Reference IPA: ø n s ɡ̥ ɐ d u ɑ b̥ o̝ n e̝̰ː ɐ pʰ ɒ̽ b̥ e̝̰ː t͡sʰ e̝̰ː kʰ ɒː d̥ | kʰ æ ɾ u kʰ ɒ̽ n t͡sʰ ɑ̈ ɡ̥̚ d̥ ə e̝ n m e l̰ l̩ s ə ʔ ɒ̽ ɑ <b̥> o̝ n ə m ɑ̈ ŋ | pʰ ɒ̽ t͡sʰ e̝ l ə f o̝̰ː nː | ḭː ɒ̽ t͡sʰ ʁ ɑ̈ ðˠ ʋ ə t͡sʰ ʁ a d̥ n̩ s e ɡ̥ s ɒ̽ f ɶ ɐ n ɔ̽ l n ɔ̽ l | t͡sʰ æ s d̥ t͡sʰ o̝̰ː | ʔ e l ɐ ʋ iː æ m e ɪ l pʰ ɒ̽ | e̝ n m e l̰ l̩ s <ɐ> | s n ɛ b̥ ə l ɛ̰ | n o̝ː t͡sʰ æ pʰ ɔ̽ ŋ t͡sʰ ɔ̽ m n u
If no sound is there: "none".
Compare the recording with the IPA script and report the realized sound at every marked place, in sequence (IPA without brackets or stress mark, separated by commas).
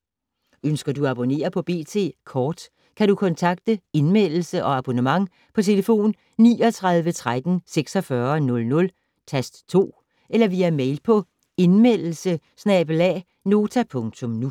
b̥, ə